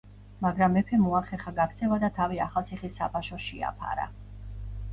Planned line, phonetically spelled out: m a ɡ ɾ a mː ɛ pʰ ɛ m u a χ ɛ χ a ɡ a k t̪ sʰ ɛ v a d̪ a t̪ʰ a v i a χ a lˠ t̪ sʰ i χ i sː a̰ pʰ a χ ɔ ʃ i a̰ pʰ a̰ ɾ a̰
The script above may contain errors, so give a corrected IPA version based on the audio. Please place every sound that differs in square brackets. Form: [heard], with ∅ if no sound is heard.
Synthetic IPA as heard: m a ɡ ɾ a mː ɛ pʰ ɛ m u a χ ɛ χ a ɡ a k t̪ sʰ ɛ v a d̪ a t̪ʰ a v i a χ a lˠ t̪ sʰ i χ i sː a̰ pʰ a [ʃ] ɔ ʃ i a̰ pʰ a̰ ɾ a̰